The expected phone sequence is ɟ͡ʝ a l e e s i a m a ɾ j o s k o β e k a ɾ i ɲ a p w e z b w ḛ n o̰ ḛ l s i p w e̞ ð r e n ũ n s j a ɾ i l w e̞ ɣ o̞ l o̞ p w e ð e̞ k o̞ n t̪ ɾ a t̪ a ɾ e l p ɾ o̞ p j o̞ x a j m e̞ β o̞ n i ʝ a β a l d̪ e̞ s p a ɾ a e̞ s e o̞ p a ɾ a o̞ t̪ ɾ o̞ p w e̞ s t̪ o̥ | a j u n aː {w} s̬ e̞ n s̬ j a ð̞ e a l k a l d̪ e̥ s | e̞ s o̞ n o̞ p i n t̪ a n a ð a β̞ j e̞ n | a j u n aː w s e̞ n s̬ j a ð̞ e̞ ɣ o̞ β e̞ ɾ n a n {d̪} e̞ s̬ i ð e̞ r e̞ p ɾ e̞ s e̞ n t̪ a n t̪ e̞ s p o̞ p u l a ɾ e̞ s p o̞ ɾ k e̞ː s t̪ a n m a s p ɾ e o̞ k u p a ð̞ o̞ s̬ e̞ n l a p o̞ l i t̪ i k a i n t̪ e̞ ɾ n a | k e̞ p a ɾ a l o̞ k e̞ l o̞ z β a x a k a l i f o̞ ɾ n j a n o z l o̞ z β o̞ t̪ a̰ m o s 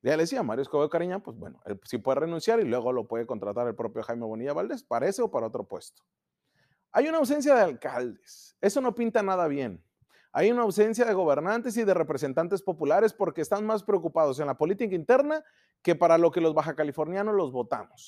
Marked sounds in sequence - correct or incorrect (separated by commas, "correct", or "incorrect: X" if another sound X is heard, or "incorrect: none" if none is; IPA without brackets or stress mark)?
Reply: correct, incorrect: t̪